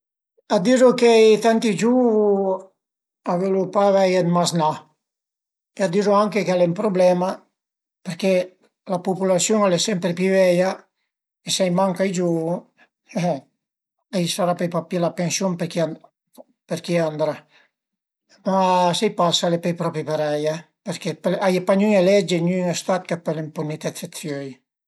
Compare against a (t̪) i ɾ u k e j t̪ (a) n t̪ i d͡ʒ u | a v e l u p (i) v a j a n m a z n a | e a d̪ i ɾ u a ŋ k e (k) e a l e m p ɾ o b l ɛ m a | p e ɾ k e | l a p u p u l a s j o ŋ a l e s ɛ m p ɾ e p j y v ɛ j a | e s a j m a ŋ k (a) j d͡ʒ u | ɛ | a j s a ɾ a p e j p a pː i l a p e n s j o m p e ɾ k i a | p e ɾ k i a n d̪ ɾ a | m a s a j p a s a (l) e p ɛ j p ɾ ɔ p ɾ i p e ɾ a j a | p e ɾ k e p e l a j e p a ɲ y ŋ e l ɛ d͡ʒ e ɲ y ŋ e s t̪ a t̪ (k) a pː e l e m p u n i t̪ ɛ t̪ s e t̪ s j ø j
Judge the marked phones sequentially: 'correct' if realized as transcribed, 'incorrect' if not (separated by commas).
incorrect, correct, incorrect, correct, correct, correct, correct